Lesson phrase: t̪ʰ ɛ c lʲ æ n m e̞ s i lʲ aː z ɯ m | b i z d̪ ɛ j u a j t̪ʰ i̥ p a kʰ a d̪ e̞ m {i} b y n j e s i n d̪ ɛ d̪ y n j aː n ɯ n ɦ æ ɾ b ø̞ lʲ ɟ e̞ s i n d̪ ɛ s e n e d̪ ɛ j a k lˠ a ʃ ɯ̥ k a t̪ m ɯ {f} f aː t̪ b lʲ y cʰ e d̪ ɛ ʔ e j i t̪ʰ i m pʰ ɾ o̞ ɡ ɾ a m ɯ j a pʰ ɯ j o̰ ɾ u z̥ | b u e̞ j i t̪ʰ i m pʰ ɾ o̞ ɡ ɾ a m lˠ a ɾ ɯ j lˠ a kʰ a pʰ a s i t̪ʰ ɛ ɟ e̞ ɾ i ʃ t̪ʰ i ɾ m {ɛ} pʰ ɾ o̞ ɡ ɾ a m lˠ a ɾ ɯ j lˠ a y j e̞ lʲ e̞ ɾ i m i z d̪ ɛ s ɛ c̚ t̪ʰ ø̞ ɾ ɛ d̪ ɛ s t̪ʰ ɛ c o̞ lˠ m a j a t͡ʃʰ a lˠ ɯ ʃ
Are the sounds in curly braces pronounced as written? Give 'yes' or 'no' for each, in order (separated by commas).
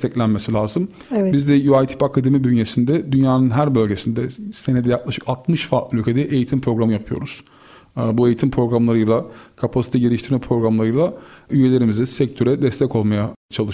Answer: yes, no, yes